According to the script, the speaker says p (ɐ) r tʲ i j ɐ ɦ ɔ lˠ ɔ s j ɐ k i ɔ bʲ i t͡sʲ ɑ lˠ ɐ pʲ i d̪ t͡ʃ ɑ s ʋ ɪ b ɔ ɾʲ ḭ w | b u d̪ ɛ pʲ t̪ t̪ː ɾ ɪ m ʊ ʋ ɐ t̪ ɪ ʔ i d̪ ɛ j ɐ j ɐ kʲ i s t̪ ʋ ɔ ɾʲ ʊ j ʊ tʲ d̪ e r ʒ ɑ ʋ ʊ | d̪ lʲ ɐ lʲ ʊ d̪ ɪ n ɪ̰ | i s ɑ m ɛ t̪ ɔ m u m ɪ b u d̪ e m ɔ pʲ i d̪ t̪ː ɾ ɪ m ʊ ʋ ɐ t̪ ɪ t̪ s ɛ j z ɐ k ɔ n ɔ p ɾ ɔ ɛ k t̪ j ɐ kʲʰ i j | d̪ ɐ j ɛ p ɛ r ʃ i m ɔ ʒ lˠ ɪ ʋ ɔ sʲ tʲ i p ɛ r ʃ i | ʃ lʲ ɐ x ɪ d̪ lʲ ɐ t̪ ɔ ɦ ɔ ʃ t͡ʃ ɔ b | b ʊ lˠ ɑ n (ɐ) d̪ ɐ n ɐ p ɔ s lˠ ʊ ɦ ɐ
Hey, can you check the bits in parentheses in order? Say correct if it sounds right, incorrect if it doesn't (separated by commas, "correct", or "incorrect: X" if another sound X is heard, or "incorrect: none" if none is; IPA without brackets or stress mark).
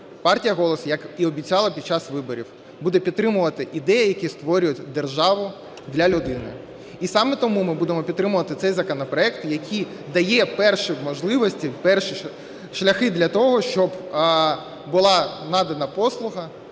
incorrect: ɑ, incorrect: ɑ